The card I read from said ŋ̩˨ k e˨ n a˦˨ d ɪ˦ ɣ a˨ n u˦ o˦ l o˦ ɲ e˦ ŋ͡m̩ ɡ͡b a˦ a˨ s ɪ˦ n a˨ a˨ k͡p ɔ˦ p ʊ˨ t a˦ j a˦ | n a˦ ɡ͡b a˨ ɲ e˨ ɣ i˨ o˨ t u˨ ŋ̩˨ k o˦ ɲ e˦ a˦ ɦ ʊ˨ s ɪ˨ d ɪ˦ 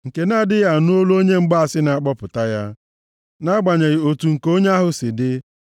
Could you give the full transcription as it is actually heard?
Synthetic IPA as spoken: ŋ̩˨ k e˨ n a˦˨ d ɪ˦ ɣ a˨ n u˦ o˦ l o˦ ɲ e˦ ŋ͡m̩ ɡ͡b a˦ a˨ s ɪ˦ n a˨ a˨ k͡p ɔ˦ p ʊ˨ t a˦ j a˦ | n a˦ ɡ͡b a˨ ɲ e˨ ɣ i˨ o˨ t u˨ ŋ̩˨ k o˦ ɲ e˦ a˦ ɦ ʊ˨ s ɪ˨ d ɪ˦